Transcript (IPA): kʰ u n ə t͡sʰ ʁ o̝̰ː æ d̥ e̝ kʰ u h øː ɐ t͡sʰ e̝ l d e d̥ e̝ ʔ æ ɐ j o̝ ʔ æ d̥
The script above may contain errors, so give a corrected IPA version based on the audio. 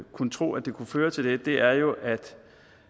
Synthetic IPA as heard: kʰ u n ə t͡sʰ ʁ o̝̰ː æ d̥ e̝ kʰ u f øː ɐ t͡sʰ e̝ l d e d̥ e̝ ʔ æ ɐ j o̝ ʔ æ d̥